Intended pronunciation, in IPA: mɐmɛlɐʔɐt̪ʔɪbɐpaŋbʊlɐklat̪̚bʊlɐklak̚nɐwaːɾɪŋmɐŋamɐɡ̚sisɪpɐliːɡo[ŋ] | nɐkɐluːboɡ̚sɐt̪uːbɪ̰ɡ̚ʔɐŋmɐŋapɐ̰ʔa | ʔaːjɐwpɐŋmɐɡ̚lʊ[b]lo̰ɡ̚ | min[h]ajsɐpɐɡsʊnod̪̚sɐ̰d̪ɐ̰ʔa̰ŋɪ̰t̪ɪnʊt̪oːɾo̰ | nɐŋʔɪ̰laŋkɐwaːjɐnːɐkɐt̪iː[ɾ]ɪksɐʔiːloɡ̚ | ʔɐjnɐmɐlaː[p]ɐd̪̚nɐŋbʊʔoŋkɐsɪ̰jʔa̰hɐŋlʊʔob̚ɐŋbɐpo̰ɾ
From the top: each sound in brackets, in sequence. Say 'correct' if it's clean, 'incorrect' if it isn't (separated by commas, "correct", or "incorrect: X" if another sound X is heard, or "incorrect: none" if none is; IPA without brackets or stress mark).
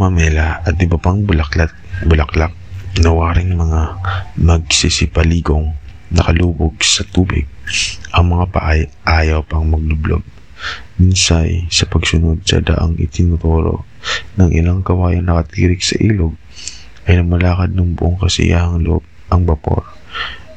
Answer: correct, correct, incorrect: s, correct, incorrect: k